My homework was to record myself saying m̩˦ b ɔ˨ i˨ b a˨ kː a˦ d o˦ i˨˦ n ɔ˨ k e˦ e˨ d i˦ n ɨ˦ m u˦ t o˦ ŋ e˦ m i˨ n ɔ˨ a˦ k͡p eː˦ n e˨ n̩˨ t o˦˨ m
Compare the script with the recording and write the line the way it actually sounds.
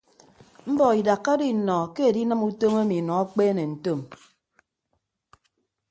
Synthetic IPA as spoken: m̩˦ b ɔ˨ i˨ d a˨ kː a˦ d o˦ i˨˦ n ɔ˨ k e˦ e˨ d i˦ n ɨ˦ m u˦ t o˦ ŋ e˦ m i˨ n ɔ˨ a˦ k͡p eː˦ n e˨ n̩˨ t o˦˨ m

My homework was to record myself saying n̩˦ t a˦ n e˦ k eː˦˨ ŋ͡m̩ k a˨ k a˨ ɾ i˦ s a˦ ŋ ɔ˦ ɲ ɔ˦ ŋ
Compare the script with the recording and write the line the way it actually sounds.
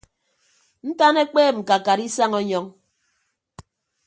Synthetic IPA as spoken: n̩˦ t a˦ n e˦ k͡p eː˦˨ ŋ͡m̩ k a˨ k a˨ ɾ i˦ s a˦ ŋ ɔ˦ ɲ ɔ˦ ŋ

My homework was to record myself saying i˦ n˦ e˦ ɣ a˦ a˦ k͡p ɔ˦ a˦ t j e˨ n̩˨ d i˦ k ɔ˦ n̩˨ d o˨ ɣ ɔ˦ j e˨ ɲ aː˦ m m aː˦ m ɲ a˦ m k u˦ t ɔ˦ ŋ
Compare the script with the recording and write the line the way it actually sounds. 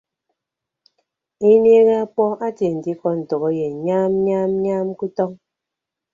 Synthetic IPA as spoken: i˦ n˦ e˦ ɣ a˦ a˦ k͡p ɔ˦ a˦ t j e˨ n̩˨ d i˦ k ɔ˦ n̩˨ t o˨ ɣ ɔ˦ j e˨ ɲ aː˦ m ɲ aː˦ m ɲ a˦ m k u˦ t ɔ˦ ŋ

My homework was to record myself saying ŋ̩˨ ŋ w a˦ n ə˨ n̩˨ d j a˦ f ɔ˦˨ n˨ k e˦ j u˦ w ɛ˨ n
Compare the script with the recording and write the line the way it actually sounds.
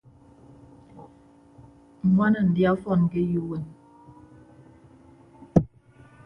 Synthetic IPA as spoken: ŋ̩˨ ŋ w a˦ n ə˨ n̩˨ d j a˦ f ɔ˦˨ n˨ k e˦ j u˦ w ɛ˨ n

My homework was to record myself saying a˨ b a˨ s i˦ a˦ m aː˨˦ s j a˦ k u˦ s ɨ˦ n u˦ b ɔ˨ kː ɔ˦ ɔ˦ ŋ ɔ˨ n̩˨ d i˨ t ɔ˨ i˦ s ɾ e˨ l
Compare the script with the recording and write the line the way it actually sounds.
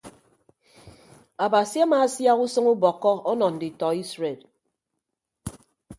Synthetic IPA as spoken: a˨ b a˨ s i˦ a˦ m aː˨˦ s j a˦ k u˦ s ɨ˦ ŋ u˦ b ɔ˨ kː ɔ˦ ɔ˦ n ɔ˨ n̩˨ d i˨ t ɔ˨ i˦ s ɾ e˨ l

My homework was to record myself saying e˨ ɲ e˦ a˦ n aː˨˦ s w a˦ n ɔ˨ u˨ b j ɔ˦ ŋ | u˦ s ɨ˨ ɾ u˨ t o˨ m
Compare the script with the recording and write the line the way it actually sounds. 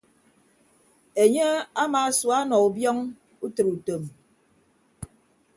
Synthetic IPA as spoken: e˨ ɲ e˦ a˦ m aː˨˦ s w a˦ n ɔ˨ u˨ b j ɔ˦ ŋ | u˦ t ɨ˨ ɾ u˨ t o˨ m

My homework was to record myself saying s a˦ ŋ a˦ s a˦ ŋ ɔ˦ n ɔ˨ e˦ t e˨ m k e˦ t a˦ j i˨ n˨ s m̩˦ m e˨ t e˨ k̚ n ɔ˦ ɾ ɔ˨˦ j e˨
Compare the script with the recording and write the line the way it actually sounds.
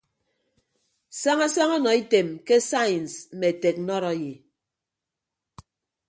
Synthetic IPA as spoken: s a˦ ŋ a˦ s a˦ ŋ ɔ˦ n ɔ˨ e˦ t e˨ m k e˦ s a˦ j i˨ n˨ s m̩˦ m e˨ t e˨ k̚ n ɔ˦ ɾ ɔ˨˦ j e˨

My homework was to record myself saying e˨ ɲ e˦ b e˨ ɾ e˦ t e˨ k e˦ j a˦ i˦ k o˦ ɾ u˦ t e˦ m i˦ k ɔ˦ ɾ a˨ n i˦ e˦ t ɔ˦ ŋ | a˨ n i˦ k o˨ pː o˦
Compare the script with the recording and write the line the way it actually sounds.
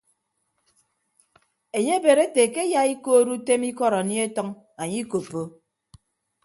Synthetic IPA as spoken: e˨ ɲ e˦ b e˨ ɾ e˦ t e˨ k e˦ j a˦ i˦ k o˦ ɾ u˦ t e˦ m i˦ k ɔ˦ ɾ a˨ n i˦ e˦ t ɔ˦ ŋ | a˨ ɲ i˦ k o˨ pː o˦

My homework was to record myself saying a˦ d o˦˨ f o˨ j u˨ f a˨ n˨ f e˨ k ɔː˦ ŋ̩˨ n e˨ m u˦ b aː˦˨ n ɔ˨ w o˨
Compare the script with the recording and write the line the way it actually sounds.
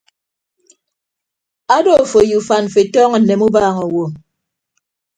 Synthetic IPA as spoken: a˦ d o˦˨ f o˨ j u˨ f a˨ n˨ f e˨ t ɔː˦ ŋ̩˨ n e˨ m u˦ b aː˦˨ ŋ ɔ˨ w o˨

